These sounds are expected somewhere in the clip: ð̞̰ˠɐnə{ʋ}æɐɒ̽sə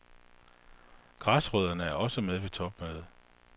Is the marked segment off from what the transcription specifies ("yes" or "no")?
yes